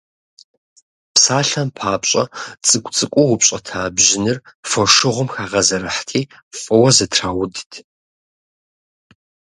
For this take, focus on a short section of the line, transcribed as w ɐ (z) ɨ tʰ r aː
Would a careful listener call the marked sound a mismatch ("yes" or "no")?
no